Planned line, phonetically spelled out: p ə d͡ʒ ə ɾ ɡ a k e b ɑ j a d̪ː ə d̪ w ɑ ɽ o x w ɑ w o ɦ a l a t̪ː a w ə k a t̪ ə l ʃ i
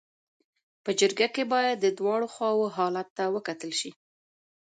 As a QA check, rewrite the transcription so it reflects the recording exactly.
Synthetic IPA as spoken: p ə d͡ʒ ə ɾ ɡ a k e b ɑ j a d̪ː ə d̪ w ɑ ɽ o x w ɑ w o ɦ ɑ l a t̪ː a w ə k a t̪ ə l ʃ i